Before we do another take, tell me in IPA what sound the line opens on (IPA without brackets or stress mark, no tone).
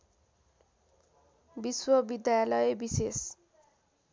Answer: b